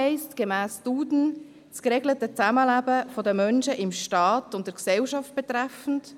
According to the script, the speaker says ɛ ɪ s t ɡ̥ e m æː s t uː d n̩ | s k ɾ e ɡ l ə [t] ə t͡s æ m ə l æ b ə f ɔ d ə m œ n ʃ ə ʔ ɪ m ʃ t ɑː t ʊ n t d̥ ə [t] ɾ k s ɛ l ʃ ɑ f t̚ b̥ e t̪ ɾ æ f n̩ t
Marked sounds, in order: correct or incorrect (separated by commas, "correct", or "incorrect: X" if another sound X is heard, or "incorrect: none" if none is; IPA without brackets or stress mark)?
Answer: correct, incorrect: none